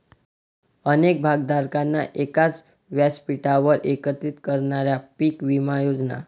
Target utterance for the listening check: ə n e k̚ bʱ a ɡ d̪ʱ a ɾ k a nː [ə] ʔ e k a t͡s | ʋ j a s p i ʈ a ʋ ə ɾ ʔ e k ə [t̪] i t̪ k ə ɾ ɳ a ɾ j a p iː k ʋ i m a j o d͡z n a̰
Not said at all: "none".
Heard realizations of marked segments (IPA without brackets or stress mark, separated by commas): a, t̪